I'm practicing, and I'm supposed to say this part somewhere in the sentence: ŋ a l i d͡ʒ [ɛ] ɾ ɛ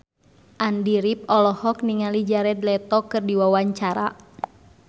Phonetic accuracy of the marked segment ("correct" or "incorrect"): incorrect